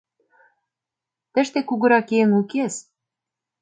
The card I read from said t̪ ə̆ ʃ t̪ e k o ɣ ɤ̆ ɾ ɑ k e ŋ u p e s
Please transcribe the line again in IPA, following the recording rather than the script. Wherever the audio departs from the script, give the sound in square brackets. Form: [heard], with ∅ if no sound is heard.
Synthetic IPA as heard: t̪ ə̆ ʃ t̪ e k [u] ɣ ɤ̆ ɾ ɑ k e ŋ u [k] e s